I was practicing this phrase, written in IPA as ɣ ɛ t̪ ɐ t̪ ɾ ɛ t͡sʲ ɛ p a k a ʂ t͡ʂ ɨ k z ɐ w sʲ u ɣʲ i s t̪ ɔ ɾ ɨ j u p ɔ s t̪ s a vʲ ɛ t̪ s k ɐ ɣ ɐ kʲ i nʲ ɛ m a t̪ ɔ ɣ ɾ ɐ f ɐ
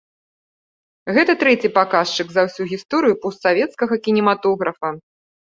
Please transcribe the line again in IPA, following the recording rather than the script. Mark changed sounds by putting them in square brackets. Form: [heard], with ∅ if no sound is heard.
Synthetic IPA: ɣ ɛ t̪ ɐ t̪ ɾ ɛ t͡sʲ [i] p a k a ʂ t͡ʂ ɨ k z ɐ w sʲ u ɣʲ i s t̪ ɔ ɾ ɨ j u p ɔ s t̪ s a vʲ ɛ t̪ s k ɐ ɣ ɐ kʲ i nʲ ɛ m a t̪ ɔ ɣ ɾ ɐ f ɐ